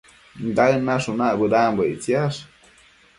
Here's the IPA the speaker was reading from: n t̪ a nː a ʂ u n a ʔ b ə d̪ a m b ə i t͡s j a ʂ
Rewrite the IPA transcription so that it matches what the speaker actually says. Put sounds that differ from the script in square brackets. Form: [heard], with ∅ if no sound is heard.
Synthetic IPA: n [d̪] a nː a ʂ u n a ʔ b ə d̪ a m b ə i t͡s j a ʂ